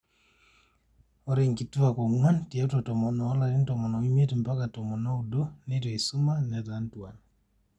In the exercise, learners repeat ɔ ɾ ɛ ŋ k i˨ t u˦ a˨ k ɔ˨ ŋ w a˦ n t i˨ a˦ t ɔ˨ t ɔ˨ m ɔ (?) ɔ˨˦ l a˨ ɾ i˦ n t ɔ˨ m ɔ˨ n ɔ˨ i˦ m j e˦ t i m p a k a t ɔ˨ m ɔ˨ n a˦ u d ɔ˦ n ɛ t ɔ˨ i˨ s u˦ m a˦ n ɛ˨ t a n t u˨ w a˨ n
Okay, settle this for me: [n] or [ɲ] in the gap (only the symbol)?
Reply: n